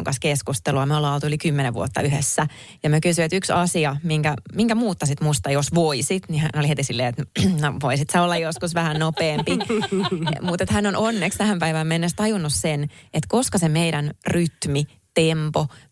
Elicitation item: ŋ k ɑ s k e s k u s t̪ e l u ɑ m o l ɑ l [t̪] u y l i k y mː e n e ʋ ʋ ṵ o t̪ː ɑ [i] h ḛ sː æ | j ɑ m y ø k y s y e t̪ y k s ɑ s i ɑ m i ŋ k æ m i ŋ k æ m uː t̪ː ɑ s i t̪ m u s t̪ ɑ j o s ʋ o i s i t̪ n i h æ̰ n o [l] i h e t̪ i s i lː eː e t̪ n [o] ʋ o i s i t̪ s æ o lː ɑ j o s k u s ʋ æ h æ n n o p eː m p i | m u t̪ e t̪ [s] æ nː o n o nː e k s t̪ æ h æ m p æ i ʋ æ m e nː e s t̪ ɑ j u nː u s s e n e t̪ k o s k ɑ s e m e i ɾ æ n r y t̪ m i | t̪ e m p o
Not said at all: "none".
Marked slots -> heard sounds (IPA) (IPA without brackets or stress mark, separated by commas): t̪, y, l, o, h